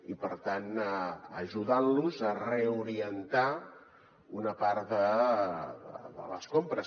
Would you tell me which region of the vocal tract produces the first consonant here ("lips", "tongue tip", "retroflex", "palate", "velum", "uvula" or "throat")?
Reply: lips